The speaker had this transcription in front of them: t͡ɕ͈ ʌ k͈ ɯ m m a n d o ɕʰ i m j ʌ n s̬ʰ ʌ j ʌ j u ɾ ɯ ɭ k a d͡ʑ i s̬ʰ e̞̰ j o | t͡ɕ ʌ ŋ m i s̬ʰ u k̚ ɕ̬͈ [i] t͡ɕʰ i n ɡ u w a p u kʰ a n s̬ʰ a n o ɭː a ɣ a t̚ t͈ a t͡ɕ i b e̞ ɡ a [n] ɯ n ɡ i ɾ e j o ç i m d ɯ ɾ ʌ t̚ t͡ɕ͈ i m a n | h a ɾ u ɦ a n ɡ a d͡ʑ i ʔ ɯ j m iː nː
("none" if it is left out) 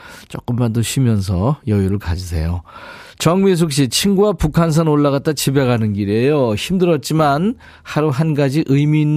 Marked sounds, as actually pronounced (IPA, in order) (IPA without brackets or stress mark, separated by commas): i, n